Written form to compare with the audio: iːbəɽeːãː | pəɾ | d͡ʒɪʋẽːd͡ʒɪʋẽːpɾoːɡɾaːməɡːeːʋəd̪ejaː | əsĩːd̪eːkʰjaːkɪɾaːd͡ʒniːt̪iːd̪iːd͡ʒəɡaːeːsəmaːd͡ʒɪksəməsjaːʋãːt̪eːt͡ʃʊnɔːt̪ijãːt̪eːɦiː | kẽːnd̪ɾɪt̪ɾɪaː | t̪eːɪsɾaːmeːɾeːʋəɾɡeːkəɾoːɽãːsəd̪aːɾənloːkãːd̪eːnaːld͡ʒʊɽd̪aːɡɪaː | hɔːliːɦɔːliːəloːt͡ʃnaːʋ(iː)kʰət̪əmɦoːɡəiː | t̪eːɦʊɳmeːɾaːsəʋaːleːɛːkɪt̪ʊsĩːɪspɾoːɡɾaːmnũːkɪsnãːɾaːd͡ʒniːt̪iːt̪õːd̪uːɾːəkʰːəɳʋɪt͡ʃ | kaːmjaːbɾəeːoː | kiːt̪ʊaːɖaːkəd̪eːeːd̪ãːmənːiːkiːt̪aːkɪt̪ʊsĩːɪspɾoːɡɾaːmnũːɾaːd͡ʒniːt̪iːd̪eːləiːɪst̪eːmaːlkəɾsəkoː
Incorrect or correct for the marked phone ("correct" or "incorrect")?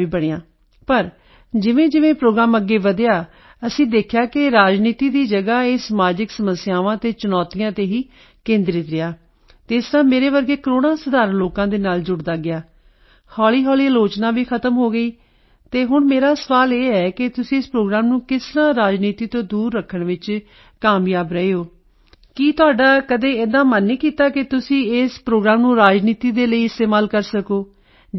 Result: correct